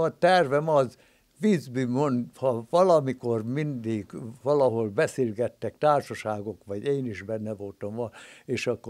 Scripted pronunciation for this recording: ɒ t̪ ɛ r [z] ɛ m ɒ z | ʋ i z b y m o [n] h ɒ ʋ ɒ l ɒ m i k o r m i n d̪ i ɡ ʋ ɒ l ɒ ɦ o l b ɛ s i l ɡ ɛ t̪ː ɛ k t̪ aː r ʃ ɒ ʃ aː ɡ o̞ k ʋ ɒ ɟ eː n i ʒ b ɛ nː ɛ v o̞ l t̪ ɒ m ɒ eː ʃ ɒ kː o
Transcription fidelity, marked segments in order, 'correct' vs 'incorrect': incorrect: v, correct

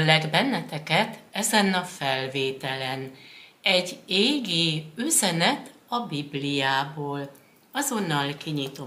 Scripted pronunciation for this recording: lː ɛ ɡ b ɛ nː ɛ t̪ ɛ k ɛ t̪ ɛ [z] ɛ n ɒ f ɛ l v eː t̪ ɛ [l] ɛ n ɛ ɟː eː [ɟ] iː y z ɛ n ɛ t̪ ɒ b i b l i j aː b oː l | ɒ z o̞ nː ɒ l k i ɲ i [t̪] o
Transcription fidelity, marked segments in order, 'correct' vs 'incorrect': correct, correct, incorrect: ɡ, correct

